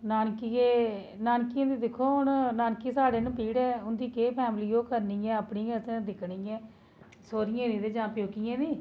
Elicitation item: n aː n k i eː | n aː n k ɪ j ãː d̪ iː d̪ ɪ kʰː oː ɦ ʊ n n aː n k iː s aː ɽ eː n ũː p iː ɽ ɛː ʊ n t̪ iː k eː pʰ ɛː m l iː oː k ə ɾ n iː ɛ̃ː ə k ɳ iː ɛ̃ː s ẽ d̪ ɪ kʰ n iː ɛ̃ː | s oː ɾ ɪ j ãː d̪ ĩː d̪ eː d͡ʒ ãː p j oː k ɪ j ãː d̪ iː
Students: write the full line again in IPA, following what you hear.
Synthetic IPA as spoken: n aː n k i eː | n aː n k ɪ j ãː d̪ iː d̪ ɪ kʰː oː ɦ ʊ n n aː n k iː s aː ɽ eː n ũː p iː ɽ ɛː ʊ n d̪ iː k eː pʰ ɛː m l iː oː k ə ɾ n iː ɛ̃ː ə p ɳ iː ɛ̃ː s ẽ d̪ ɪ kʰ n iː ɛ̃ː | s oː ɾ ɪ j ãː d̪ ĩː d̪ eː d͡ʒ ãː p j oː k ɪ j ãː d̪ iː